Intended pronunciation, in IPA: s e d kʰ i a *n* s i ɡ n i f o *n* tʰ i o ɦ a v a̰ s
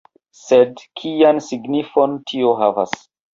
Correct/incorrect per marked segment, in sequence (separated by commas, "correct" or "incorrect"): correct, correct